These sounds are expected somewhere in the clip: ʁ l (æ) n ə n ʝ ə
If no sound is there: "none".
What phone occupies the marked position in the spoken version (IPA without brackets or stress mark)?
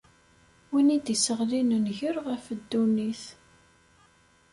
i